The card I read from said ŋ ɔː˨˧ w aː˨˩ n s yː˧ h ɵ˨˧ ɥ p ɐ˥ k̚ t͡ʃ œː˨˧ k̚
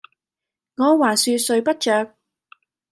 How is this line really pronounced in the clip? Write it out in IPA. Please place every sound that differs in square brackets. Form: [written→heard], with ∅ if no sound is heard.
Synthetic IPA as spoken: ŋ ɔː˨˧ w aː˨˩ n s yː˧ [h→s] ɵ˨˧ ɥ p ɐ˥ [k̚→t̚] t͡ʃ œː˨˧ k̚